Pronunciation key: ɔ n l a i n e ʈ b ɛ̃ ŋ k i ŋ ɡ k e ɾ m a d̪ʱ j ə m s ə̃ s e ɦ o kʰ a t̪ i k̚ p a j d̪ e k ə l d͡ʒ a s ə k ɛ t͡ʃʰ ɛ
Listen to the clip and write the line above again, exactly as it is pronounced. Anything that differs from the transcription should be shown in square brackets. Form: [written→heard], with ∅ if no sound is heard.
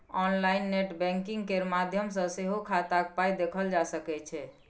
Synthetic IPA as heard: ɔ n l a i [n→nː] e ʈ b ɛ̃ ŋ k i ŋ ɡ k e ɾ m a d̪ʱ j ə m s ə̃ s e ɦ o kʰ a t̪ [i→a] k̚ p a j d̪ e [k→kʰ] ə l d͡ʒ a s ə k ɛ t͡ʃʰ ɛ